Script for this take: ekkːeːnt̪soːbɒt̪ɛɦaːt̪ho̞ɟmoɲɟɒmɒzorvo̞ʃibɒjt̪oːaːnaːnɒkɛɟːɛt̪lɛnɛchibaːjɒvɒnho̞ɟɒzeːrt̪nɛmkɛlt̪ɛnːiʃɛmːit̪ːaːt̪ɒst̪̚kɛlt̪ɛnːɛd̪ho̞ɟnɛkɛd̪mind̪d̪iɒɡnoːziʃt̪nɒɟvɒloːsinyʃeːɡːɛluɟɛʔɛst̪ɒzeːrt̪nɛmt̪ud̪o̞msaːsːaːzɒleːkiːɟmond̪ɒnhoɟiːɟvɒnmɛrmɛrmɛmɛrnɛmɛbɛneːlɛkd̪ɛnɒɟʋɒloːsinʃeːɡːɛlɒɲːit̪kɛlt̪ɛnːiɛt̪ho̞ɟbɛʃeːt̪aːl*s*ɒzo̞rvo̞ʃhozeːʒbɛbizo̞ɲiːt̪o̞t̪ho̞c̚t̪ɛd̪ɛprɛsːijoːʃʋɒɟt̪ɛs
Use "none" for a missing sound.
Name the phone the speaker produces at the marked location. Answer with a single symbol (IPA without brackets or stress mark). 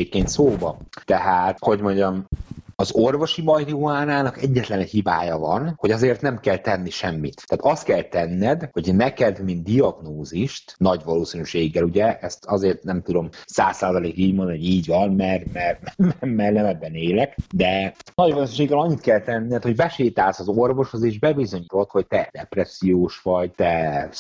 s